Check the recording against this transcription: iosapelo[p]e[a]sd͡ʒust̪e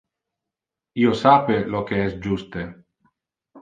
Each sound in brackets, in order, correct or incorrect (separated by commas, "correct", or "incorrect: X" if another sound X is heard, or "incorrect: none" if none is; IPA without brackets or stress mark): incorrect: k, incorrect: ɛ